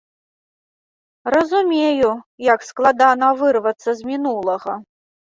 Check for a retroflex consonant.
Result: absent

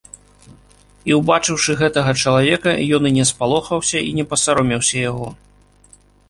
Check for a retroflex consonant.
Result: present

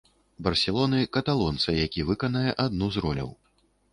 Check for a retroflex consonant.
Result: absent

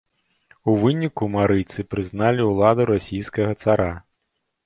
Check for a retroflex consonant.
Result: absent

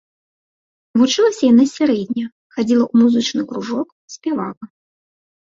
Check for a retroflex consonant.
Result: present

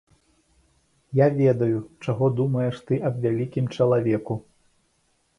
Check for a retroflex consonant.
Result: present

